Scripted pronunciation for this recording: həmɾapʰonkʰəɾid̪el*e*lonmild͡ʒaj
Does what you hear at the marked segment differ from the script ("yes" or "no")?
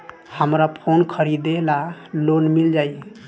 yes